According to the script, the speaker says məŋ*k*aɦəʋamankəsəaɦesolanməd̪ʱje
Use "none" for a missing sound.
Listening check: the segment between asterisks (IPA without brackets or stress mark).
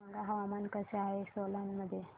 ɡ